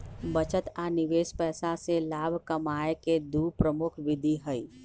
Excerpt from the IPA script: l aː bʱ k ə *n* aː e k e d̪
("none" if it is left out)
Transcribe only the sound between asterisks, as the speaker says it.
m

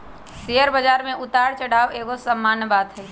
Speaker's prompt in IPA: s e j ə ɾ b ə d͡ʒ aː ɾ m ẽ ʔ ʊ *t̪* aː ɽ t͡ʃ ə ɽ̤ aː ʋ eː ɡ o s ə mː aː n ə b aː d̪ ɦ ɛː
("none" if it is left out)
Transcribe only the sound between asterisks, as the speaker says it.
t̪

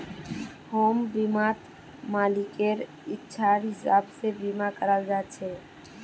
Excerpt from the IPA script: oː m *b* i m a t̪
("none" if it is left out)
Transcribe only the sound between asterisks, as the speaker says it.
b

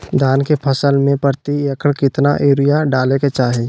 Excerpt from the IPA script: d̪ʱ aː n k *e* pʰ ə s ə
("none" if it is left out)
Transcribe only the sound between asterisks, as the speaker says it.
e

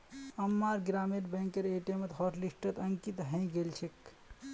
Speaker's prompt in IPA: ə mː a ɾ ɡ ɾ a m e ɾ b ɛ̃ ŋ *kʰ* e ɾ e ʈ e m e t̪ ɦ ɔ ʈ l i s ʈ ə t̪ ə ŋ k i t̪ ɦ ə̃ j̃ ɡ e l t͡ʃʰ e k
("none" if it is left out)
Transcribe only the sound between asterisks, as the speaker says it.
k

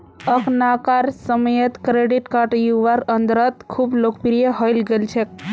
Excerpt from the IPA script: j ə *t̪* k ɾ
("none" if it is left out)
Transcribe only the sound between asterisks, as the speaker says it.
t̪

